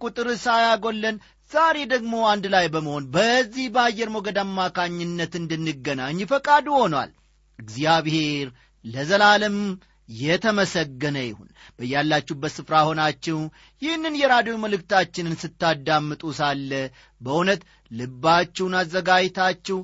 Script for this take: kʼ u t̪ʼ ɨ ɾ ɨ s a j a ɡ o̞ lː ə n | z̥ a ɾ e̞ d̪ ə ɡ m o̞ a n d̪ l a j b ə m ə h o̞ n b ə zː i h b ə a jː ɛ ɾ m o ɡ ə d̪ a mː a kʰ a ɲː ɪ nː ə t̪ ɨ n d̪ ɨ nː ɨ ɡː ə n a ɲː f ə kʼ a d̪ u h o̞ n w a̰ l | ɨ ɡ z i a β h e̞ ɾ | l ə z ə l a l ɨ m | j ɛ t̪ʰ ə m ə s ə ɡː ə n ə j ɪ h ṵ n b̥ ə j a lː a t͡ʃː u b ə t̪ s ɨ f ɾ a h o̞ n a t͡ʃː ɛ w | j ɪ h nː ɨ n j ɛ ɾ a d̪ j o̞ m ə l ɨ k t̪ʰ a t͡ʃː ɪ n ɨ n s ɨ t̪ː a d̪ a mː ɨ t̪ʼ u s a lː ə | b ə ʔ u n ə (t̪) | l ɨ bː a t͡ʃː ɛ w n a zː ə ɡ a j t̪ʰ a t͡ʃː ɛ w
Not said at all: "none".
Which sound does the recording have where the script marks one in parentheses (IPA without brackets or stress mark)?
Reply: t̪